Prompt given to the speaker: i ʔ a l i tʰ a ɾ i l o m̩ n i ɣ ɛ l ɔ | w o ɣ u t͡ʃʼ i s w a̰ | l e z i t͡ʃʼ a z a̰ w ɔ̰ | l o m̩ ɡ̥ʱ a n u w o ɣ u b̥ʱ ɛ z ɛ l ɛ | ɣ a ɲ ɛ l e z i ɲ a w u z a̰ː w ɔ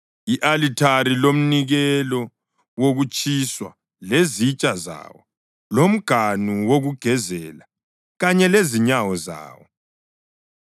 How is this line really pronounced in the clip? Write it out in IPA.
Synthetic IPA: i ʔ a l i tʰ a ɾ i l o m̩ n i ɣ ɛ l ɔ | w o ɣ u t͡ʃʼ i s w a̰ | l e z i t͡ʃʼ a z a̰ w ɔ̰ | l o m̩ ɡ̥ʱ a n u w o ɣ u ɡ̥ʱ ɛ z ɛ l a | ɣ a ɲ ɛ l e z i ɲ a w ɔ z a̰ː w ɔ